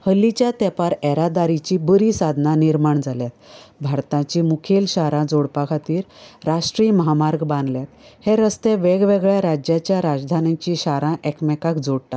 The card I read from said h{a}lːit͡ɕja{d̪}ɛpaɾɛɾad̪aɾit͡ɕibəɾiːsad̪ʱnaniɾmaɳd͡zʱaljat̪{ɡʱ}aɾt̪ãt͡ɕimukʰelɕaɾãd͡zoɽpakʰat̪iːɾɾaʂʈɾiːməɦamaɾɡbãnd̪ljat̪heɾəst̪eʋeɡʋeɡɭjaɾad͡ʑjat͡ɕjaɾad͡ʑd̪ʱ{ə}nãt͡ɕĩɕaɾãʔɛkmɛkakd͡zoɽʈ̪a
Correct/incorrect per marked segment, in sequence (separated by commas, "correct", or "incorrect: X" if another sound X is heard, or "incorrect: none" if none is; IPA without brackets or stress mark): incorrect: ə, incorrect: t̪, incorrect: bʱ, incorrect: a